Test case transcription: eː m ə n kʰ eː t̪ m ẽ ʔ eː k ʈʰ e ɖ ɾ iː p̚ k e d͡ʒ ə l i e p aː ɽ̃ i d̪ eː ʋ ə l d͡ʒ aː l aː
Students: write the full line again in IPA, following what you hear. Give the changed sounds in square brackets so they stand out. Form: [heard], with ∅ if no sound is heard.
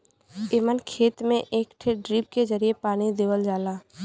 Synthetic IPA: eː m ə n kʰ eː t̪ m ẽ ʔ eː k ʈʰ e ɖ ɾ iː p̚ k e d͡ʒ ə [ɾ] i e p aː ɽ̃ i d̪ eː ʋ ə l d͡ʒ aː l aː